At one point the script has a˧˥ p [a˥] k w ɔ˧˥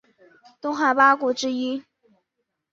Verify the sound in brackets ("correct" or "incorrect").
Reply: correct